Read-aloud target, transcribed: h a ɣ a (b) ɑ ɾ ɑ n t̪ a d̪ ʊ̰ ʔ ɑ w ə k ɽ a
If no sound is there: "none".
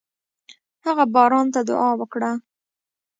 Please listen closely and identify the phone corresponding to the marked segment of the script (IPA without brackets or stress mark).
b